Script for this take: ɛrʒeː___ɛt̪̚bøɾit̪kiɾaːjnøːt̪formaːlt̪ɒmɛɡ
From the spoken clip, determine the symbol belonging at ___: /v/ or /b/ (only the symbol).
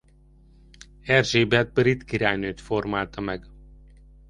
b